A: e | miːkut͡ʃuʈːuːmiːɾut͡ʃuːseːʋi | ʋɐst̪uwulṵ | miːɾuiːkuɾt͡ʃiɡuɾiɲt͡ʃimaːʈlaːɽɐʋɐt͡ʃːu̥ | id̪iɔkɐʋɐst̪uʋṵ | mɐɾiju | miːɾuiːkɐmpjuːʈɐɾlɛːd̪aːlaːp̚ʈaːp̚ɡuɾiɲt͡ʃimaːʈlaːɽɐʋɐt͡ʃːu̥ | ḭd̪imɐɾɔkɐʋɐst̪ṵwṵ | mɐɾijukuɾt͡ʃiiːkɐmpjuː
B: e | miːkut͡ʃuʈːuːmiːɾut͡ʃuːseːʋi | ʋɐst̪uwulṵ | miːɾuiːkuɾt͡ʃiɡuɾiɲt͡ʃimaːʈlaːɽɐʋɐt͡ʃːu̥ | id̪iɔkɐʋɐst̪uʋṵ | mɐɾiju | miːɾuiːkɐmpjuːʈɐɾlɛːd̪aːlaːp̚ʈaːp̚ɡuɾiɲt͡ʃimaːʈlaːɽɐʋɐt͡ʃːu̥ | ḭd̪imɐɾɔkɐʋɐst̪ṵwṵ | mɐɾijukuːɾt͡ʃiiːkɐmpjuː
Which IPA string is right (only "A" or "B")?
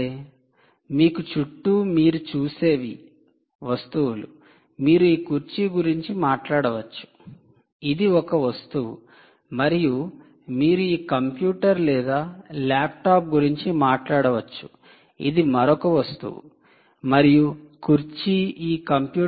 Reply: A